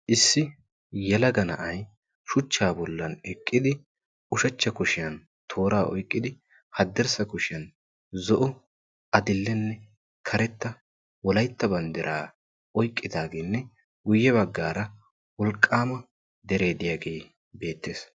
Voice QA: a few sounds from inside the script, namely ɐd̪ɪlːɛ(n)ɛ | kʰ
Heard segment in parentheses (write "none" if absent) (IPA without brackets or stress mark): nː